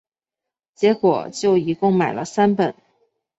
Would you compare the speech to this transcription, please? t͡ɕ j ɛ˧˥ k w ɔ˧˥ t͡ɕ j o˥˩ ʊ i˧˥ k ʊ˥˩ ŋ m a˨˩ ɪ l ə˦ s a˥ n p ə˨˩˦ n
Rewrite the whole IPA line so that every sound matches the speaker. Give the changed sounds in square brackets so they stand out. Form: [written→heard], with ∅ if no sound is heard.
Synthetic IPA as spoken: t͡ɕ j ɛ˧˥ k w [ɔ˧˥→ɔ˨˩] t͡ɕ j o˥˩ ʊ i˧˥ k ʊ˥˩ ŋ m a˨˩ ɪ l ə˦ s a˥ n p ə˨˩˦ n